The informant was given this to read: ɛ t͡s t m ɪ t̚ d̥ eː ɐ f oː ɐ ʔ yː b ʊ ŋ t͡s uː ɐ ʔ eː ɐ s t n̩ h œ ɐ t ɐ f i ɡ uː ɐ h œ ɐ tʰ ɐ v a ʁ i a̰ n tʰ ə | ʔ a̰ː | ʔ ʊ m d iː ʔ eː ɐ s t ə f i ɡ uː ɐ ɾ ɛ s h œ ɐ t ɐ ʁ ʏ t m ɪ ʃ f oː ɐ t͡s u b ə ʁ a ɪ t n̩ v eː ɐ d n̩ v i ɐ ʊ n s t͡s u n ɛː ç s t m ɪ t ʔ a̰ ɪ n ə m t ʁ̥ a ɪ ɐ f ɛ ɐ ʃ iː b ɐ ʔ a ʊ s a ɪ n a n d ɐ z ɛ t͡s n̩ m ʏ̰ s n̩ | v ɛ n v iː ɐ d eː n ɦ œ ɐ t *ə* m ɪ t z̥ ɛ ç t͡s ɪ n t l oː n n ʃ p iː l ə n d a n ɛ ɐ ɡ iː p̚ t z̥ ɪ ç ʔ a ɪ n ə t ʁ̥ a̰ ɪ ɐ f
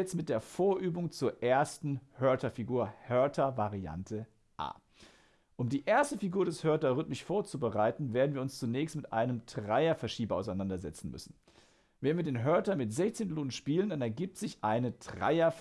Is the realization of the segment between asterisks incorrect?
yes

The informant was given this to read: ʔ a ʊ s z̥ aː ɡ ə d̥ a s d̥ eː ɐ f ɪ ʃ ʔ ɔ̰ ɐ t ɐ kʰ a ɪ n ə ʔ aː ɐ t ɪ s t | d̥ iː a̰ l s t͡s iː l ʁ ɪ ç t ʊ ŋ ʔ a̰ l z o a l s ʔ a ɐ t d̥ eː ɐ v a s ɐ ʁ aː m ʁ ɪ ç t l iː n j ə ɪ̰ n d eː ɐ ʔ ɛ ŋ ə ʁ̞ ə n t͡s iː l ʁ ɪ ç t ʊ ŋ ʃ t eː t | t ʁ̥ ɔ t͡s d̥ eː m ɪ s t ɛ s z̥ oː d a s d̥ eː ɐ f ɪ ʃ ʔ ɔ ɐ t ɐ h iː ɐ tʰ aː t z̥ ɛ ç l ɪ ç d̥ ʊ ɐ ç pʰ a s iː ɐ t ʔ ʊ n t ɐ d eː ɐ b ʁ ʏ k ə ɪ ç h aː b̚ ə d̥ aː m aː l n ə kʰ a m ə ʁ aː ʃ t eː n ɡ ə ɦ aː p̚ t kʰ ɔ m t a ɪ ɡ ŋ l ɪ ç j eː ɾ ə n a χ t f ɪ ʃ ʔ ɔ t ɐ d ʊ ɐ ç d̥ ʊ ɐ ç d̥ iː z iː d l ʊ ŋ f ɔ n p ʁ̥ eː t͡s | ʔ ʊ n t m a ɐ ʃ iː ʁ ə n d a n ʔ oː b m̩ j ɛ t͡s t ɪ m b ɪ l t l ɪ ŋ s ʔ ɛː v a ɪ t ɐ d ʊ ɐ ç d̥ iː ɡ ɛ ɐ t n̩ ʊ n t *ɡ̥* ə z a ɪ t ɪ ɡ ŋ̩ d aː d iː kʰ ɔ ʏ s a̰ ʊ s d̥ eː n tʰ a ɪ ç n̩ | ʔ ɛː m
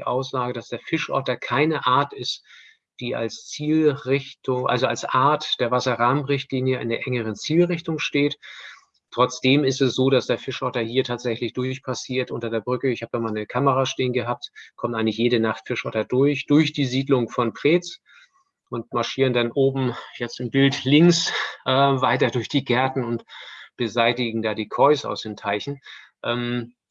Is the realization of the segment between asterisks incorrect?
yes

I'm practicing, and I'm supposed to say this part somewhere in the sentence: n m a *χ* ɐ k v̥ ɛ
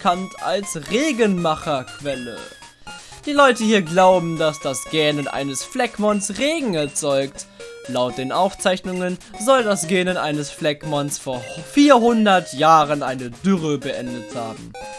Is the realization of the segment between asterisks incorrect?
no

